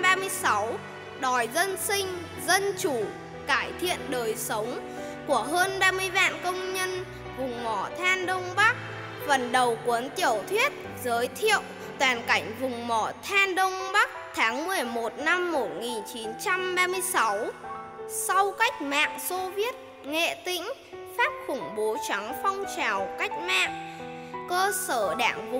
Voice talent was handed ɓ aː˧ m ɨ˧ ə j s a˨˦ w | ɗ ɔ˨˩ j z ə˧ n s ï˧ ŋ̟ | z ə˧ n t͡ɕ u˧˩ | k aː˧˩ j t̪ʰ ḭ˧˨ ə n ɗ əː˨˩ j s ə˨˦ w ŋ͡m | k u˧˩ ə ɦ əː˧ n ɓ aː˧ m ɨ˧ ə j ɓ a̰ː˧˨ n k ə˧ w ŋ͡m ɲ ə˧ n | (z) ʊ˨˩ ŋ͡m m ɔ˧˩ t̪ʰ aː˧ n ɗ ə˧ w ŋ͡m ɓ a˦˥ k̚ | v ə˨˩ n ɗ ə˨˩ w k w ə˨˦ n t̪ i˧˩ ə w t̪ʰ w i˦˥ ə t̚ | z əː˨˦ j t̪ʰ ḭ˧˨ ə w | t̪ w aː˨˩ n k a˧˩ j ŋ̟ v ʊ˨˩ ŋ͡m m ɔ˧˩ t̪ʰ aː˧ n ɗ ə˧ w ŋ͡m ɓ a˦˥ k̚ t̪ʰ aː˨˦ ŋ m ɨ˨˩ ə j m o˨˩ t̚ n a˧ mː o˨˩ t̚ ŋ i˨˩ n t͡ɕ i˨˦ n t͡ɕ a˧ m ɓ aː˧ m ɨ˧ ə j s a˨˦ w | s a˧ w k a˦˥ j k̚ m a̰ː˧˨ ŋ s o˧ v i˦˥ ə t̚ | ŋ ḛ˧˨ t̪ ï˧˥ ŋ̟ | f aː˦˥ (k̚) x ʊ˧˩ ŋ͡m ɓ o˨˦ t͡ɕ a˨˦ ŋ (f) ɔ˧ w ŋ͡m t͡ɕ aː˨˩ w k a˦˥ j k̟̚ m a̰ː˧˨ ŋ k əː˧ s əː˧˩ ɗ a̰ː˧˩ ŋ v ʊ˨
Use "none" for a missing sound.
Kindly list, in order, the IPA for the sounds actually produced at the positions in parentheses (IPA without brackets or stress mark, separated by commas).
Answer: v, p̚, f